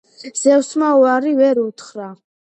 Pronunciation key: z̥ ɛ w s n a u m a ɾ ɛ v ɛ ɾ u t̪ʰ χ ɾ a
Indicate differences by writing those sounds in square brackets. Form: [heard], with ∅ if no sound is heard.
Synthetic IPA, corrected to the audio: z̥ ɛ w s [m] a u [∅] a ɾ [i] v ɛ ɾ u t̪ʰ χ ɾ a